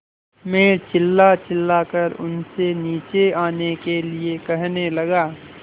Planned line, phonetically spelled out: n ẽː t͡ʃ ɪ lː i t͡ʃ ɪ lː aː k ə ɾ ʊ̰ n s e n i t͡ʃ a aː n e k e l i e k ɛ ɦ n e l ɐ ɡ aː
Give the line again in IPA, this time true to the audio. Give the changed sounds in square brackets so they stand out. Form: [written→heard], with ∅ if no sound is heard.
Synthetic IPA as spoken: [n→m] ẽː t͡ʃ ɪ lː [i→a] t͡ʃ ɪ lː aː k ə ɾ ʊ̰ n s e n [i→iː] t͡ʃ [a→e] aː n e k e l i e k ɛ ɦ n e l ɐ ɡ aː